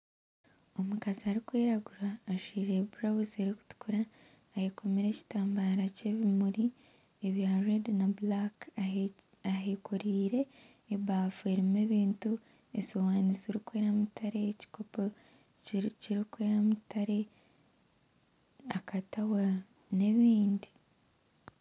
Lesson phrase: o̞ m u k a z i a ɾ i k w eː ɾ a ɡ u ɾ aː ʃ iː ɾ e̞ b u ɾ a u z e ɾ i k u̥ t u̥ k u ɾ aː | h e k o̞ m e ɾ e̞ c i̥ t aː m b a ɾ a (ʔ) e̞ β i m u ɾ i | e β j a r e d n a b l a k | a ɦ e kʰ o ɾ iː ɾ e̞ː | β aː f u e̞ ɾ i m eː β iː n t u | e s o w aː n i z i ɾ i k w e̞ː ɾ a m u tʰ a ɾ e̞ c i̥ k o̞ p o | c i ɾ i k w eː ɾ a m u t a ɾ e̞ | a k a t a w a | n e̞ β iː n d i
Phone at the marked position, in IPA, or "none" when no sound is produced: c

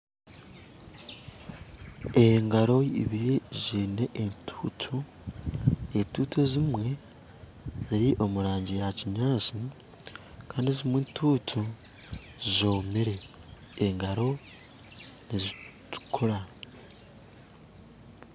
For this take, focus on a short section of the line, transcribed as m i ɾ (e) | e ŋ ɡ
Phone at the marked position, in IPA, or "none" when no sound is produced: e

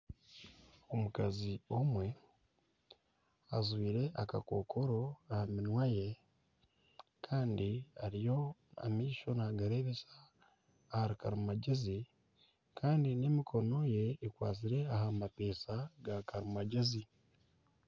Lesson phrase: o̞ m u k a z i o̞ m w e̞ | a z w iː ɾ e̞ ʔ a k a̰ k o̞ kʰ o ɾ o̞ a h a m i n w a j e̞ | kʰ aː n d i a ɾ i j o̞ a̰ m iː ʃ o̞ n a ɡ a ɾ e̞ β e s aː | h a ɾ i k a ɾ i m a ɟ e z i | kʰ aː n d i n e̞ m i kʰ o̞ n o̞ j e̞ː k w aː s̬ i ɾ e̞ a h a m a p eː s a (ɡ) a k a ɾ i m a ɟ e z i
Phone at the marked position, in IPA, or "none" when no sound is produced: ɡ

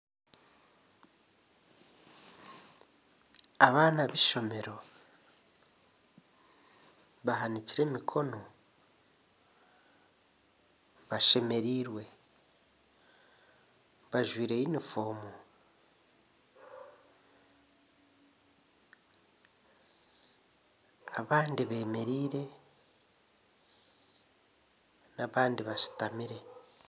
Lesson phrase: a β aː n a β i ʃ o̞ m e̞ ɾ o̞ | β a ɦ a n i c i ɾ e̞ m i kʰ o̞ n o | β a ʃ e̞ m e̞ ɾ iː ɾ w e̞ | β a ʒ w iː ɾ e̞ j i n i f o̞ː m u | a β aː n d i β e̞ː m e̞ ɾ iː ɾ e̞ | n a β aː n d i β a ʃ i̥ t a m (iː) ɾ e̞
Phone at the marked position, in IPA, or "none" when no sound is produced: i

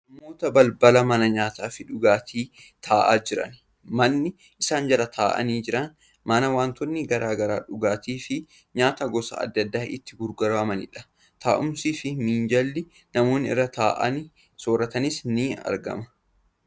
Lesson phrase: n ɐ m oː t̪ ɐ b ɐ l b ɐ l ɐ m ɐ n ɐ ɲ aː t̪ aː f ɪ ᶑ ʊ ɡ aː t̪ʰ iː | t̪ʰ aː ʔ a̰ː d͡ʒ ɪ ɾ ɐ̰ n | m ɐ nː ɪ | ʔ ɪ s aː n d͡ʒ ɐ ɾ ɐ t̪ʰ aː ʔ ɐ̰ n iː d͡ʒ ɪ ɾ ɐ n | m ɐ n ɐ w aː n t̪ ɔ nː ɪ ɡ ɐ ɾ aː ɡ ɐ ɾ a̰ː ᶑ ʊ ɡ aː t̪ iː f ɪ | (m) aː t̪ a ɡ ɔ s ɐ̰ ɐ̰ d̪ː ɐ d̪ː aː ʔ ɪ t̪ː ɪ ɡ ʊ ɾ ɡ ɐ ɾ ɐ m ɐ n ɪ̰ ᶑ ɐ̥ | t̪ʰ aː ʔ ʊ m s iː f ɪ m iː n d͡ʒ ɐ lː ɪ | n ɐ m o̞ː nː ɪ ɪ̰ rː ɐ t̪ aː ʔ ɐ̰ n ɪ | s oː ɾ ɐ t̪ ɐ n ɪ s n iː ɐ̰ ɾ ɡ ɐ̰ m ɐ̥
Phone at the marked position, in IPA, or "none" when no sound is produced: ɲ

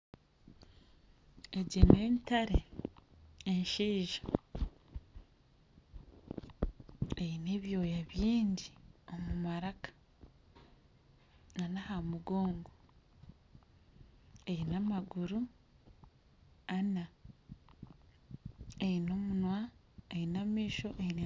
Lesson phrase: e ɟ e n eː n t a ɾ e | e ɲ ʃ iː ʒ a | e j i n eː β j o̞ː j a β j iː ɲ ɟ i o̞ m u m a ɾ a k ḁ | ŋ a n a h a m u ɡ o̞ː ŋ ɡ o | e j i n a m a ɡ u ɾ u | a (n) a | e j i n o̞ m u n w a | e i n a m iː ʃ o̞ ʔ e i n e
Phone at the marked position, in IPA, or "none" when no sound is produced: n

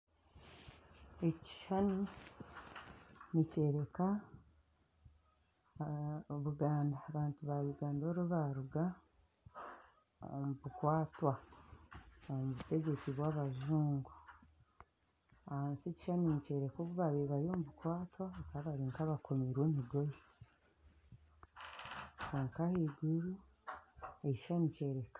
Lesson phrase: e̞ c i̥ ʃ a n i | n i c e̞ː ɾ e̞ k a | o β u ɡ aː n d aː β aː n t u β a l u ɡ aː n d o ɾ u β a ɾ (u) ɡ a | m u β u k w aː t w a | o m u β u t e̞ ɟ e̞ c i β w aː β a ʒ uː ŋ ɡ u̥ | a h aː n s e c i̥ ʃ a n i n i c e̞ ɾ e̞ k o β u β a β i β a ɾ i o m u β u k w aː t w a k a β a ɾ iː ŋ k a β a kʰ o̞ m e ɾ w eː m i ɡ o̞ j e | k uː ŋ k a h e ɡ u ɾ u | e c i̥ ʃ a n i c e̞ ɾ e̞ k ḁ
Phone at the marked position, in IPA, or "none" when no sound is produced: u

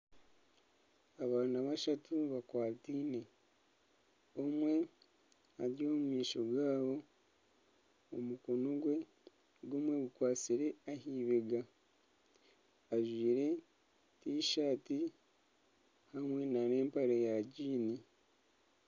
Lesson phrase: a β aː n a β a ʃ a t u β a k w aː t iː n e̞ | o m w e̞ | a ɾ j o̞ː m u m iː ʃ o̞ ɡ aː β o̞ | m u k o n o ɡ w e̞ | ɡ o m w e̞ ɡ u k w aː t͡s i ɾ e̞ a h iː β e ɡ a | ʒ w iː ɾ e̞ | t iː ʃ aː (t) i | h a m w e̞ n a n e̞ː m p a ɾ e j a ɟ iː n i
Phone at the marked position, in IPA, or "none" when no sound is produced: t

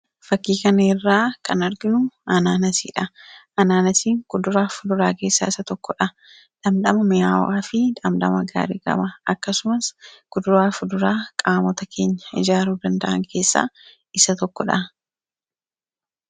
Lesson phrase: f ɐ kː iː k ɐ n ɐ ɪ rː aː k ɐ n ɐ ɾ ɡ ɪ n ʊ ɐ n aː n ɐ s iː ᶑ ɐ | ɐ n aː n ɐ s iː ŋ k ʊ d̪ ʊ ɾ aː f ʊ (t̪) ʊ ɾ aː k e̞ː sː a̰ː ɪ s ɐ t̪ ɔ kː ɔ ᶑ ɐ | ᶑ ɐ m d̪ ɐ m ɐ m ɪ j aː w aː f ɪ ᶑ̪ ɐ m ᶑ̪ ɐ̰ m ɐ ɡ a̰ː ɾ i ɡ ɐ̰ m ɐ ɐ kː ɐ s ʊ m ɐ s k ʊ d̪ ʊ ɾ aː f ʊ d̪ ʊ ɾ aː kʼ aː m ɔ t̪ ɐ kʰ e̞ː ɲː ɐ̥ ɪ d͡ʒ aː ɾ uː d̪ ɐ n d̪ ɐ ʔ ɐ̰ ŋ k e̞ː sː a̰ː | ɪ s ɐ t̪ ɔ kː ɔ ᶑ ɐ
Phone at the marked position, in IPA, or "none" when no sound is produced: d̪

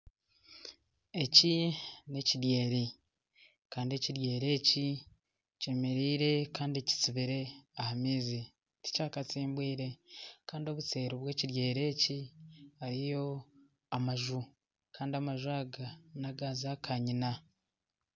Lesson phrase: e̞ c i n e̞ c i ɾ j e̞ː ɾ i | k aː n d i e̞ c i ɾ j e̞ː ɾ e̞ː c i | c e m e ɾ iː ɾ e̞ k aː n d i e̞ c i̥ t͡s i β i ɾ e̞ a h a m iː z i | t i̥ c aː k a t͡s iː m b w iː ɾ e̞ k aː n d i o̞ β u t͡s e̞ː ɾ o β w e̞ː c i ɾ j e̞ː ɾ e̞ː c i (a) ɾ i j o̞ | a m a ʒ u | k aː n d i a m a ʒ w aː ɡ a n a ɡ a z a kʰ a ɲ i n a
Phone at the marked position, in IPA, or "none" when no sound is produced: a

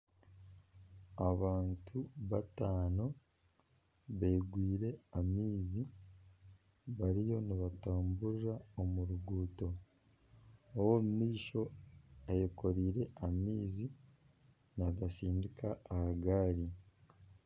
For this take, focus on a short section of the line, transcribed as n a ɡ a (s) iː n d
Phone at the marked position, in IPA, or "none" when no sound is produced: s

